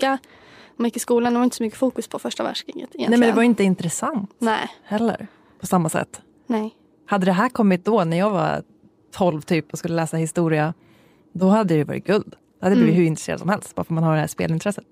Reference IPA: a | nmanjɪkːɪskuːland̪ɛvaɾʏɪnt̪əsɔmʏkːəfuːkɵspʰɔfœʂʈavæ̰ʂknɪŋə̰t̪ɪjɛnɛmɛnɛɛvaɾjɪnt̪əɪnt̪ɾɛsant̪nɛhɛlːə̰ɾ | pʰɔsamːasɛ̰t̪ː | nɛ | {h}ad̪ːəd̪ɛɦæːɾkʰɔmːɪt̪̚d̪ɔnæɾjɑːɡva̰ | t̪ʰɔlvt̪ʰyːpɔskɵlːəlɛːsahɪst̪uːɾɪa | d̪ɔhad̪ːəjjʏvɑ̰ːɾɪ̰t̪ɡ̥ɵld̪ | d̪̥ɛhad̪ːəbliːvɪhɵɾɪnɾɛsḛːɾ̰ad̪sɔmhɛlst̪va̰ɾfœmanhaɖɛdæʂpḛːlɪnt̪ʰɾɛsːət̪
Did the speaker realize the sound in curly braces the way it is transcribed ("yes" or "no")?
yes